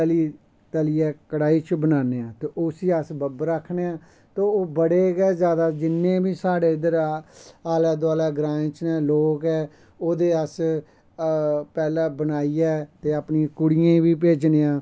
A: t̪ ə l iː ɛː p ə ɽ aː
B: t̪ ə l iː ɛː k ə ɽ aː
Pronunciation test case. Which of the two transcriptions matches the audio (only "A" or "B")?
B